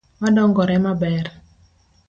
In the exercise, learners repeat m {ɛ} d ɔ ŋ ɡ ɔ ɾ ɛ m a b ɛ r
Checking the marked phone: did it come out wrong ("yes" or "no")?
yes